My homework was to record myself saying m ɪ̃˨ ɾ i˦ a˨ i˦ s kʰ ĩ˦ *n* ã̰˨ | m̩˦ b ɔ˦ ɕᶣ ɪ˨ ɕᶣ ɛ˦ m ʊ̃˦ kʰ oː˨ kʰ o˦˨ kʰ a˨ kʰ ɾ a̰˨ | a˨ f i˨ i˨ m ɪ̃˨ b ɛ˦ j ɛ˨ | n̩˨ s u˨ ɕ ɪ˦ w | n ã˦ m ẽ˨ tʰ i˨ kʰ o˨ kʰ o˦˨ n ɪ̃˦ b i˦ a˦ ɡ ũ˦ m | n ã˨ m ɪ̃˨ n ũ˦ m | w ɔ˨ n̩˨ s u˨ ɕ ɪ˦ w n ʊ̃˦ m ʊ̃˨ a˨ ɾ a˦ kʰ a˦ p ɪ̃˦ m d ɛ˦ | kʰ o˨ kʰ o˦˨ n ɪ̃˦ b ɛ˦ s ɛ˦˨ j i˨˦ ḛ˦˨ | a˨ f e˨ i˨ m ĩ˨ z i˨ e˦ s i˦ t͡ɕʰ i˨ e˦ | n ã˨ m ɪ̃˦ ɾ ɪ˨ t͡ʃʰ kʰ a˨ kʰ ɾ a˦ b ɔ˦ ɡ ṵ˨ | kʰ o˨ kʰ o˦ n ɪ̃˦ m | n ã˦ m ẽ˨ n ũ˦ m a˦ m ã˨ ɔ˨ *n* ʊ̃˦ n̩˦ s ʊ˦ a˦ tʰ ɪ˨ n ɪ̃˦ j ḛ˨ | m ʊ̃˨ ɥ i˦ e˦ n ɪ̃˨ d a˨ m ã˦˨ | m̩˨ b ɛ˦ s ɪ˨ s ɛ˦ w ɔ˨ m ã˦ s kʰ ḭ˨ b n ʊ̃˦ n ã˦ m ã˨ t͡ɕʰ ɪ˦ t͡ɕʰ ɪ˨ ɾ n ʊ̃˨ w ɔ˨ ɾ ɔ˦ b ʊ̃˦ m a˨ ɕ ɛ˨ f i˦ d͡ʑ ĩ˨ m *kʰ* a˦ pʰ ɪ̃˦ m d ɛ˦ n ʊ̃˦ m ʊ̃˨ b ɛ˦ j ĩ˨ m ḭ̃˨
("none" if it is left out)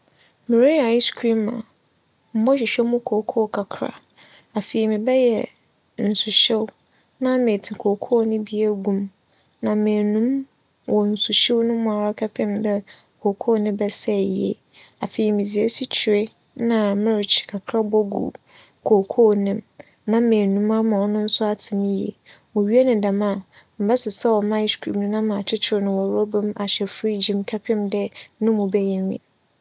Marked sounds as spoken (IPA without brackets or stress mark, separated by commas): m, n, kʰ